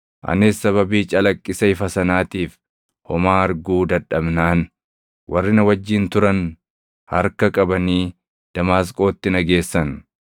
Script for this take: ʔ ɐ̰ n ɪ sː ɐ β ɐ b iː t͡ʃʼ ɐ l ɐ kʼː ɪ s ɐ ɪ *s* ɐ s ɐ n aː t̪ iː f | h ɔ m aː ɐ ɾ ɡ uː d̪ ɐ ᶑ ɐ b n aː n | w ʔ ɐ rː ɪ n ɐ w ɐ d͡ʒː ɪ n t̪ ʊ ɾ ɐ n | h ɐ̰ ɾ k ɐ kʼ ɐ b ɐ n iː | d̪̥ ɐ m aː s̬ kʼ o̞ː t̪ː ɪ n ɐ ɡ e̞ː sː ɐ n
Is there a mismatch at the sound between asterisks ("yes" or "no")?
yes